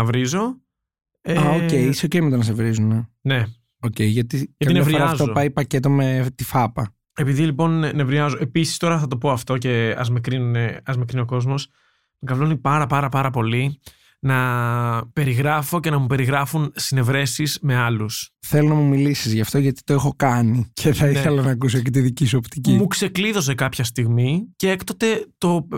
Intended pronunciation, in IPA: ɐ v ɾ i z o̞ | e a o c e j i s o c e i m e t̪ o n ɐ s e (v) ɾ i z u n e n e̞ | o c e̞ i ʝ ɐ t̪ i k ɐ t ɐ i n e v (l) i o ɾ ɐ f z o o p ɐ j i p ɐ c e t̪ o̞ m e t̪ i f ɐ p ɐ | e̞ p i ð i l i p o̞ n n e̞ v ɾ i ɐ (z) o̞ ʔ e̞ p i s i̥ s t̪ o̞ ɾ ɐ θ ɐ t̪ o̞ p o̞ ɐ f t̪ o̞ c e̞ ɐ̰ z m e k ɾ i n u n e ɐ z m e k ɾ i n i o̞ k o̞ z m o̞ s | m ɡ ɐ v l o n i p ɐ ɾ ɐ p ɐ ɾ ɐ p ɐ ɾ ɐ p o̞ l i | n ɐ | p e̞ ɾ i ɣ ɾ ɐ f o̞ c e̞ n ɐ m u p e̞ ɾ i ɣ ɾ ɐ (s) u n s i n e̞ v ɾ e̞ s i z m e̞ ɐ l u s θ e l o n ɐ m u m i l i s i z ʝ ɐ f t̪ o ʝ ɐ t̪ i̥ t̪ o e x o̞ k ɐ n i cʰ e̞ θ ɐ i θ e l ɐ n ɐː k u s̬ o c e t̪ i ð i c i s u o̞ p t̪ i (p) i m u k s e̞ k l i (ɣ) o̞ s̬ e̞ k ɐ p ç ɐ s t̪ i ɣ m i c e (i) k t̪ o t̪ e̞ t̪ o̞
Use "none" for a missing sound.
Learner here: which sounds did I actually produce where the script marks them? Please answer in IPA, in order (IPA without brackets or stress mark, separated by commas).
v, ɾ, z, f, c, ð, e